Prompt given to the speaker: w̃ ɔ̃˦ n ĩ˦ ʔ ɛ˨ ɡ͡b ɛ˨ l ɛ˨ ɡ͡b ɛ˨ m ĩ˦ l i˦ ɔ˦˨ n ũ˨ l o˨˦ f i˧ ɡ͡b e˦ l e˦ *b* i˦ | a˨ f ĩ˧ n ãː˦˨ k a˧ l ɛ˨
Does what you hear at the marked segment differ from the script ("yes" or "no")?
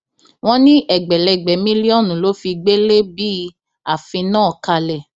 no